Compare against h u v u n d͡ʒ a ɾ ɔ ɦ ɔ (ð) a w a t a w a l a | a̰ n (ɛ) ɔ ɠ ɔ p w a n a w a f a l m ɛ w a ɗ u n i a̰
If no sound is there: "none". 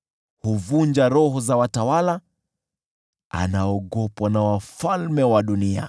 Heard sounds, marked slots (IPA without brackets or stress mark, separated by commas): z, a